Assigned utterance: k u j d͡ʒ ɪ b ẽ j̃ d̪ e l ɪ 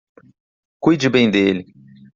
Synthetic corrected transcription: k u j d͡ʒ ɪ b ẽ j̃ d̪ e l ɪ